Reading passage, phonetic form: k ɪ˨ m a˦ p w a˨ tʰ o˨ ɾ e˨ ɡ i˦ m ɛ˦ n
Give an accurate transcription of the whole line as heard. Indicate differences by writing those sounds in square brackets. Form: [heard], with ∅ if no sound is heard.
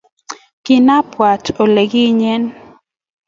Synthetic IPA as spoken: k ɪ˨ [n] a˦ p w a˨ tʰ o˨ [l] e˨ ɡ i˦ [ɲ] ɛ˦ n